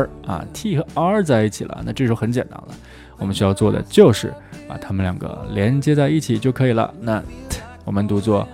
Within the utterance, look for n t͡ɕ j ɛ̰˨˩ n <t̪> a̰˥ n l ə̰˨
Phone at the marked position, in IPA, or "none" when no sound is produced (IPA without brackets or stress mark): t̪